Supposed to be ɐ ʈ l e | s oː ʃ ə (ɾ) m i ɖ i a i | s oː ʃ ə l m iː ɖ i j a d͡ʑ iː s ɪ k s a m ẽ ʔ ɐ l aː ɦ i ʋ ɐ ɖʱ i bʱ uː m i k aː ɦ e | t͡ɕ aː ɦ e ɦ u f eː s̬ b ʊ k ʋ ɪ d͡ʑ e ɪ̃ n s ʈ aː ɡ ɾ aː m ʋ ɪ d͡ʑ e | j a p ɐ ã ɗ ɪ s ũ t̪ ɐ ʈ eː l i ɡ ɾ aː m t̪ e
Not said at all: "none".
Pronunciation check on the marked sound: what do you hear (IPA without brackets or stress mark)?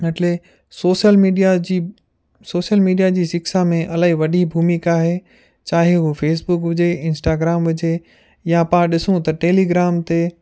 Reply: l